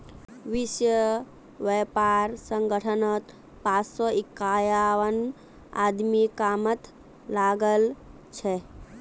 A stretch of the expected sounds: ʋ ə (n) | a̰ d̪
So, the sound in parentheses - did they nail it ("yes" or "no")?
yes